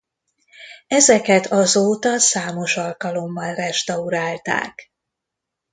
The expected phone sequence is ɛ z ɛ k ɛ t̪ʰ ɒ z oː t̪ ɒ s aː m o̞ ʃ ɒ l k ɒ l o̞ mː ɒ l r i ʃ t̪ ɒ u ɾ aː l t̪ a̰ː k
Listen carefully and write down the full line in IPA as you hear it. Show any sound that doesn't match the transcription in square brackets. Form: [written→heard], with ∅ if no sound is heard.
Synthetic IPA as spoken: ɛ z ɛ k ɛ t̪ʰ ɒ z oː t̪ ɒ s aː m o̞ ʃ ɒ l k ɒ l o̞ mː ɒ l r [i→ɛ] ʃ t̪ ɒ u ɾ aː l t̪ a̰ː k